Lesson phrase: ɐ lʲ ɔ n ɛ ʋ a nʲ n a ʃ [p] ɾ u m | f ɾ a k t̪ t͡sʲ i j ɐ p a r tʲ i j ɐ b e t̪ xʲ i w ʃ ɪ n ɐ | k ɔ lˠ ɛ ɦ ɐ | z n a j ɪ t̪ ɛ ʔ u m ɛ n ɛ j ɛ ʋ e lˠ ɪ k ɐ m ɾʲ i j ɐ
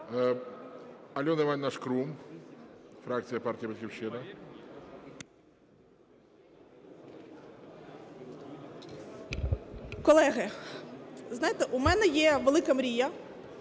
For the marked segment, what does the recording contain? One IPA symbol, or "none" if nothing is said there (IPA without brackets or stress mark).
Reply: k